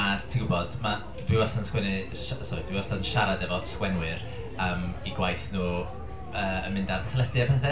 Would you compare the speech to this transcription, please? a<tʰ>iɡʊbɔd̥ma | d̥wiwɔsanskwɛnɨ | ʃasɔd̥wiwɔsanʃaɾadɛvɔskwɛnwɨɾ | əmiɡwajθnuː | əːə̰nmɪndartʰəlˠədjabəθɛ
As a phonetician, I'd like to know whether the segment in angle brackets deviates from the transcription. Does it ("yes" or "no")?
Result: no